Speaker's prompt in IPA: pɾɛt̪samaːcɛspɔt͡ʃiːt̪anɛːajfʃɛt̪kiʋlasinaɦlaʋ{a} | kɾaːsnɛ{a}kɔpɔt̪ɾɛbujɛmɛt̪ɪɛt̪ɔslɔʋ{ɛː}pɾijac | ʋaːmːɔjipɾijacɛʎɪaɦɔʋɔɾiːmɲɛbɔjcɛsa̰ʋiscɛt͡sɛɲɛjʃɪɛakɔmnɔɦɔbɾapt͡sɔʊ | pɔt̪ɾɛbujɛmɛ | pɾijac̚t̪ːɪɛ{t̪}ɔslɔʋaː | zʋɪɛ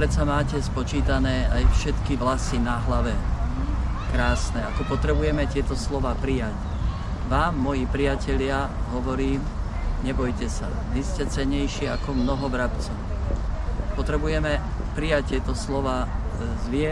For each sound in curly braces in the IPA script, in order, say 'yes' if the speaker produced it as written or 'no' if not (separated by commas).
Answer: no, yes, no, yes